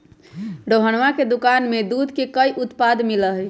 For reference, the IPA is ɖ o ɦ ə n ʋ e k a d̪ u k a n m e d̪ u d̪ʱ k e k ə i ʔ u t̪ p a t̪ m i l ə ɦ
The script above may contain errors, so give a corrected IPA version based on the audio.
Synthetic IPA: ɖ o ɦ ə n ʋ a k e d̪ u k a n m e d̪ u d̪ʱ k e k ə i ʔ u t̪ p a d̪ m i l ə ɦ